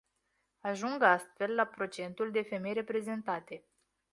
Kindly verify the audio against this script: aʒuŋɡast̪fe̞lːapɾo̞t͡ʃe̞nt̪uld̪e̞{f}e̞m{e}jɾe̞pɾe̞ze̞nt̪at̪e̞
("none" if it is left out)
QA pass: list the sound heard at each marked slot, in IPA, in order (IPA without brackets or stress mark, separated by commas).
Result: f, e